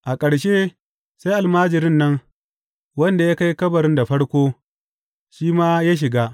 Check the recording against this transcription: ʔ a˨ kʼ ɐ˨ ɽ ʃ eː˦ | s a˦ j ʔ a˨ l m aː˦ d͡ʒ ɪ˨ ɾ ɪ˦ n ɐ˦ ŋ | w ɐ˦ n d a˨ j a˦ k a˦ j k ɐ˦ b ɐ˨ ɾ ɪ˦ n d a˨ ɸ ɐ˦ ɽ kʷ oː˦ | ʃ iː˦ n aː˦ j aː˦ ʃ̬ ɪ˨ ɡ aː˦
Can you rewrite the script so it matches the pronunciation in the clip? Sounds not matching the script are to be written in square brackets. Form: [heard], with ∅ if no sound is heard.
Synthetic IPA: ʔ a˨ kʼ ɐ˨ ɽ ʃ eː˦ | s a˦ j ʔ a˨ l m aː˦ d͡ʒ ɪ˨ ɾ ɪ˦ [nː] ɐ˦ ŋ | w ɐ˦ n d a˨ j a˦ k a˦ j k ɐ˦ b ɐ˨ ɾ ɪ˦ n d a˨ ɸ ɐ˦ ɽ kʷ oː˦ | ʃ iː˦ [m] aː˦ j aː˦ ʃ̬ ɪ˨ ɡ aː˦